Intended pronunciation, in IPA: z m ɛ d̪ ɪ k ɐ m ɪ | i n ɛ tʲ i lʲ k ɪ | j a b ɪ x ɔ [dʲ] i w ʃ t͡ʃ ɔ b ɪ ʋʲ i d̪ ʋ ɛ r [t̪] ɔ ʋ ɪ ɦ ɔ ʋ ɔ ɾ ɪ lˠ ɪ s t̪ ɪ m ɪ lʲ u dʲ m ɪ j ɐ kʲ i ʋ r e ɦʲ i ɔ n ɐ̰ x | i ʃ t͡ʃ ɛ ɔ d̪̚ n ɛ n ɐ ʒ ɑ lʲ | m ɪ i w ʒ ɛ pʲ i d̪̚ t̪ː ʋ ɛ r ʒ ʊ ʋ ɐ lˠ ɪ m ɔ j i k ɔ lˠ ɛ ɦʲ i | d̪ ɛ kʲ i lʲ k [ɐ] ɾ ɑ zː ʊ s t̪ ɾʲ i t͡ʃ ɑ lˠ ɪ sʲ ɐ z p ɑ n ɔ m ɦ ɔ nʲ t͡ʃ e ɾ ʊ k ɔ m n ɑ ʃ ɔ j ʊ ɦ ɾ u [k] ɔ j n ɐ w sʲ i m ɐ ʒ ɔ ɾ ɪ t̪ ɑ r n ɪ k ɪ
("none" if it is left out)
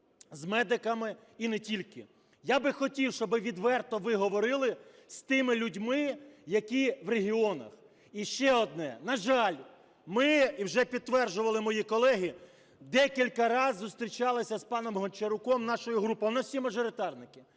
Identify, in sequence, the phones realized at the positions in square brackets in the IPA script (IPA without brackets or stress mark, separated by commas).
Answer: tʲ, t̪, ɐ, p